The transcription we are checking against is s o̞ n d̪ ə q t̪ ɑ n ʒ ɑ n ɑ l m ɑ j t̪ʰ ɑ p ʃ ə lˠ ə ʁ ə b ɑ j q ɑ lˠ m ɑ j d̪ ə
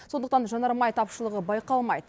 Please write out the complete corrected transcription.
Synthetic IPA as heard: s o̞ n d̪ ə q t̪ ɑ n ʒ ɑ n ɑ ɾ m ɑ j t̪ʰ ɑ p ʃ ə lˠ ə ʁ ə b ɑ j q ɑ lˠ m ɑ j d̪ ə